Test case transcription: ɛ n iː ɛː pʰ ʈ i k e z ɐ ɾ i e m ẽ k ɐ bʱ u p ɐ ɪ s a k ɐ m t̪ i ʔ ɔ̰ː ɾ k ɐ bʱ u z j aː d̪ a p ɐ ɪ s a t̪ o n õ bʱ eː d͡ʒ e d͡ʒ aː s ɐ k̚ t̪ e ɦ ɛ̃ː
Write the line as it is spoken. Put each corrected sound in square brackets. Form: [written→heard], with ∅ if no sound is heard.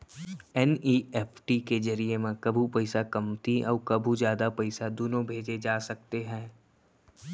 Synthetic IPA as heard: ɛ n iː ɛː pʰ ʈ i k e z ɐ ɾ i e m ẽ k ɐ bʱ u p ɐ ɪ s a k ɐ m t̪ i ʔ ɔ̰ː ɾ k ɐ bʱ u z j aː d̪ a p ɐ ɪ s a [t̪→d̪] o n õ bʱ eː d͡ʒ e d͡ʒ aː s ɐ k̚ t̪ e ɦ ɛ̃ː